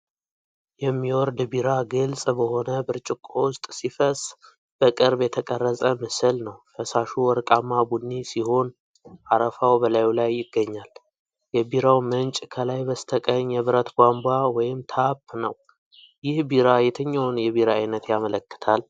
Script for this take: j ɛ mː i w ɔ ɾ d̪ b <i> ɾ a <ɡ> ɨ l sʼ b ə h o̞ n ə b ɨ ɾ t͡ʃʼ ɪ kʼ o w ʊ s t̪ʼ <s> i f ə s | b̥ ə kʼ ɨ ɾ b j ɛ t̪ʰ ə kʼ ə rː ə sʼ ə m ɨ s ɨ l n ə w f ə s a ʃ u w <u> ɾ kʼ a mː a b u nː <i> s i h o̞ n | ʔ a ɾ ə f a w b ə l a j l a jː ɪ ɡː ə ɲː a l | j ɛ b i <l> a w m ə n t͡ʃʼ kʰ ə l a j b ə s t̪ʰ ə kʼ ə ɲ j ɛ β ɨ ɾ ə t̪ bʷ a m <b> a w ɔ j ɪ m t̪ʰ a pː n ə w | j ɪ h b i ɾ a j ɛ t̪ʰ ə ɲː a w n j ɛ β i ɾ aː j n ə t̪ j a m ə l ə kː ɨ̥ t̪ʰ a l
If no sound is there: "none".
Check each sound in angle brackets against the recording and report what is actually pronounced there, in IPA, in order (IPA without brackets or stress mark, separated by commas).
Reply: i, ɡ, s, ɔ, i, ɾ, b